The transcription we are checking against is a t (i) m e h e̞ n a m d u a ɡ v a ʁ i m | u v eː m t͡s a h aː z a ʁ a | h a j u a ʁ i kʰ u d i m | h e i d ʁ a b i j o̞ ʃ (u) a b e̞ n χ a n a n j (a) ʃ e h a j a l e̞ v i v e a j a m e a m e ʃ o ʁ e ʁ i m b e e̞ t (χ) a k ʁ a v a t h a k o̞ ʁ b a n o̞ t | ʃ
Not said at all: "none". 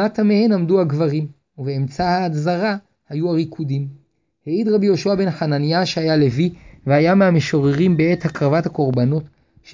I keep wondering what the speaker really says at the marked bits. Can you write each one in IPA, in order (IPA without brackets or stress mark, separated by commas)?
a, u, a, h